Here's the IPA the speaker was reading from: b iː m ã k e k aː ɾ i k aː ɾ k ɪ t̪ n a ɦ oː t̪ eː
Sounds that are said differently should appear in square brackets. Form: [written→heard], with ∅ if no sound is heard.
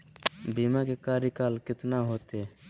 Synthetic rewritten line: b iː m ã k e k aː ɾ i k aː [ɾ→l] k ɪ t̪ n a ɦ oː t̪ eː